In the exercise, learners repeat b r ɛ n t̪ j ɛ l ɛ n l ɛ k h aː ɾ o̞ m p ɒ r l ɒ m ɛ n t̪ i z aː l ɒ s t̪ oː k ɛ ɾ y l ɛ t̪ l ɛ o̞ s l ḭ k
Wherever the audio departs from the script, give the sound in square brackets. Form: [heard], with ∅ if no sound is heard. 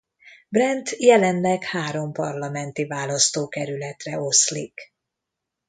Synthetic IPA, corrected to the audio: b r ɛ n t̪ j ɛ l ɛ n l ɛ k h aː ɾ o̞ m p ɒ r l ɒ m ɛ n t̪ i [v] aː l ɒ s t̪ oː k ɛ ɾ y l ɛ t̪ [r] ɛ o̞ s l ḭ k

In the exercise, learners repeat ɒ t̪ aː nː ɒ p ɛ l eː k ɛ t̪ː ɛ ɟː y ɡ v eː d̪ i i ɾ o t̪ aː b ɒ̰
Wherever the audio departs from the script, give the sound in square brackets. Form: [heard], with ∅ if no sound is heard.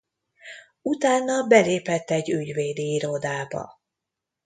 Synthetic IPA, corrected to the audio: [u] t̪ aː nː ɒ [b] ɛ l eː [p] ɛ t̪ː ɛ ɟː y [ɟ] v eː d̪ i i ɾ o [d̪] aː b ɒ̰

